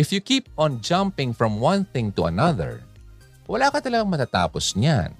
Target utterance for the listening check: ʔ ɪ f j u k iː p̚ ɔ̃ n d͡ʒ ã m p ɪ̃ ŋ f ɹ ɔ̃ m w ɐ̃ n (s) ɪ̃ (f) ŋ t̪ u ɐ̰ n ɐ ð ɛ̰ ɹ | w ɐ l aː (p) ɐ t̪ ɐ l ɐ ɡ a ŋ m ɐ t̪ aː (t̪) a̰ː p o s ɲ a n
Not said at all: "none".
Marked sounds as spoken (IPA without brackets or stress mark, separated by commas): θ, none, k, t̪